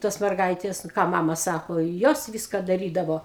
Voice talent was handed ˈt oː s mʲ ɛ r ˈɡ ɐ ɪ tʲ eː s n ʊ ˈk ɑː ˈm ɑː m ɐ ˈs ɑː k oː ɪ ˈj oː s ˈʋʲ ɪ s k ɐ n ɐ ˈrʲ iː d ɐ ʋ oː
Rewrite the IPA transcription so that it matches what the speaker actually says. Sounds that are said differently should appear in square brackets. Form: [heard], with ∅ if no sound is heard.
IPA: ˈt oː s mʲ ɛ r ˈɡ ɐ ɪ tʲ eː s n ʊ ˈk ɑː ˈm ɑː m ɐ ˈs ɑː k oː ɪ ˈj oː s ˈʋʲ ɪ s k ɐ [d] ɐ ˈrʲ iː d ɐ ʋ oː